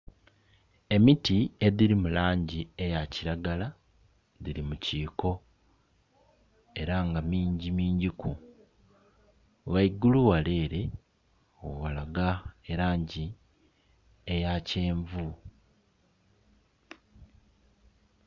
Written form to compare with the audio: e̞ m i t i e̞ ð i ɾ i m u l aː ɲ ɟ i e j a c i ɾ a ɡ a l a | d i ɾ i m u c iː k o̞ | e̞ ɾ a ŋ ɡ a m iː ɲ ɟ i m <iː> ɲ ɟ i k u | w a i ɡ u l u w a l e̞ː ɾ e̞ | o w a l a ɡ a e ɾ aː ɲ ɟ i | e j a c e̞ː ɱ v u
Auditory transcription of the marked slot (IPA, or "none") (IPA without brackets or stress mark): iː